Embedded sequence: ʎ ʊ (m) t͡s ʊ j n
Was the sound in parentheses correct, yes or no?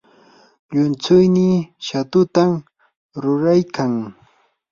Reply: no